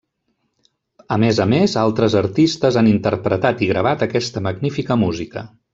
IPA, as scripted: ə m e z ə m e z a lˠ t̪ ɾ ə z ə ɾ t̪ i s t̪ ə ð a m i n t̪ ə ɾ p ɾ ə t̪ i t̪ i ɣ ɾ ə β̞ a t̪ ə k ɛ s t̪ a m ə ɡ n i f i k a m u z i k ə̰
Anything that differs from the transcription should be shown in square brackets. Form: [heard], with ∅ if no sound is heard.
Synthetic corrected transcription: ə m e z ə m e z a lˠ t̪ ɾ ə z ə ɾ t̪ i s t̪ ə [z] a [n] i n t̪ ə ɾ p ɾ ə t̪ [a] t̪ i ɣ ɾ ə β̞ a t̪ ə k ɛ s t̪ [ə] m ə ɡ n i f i k [ə] m u z i k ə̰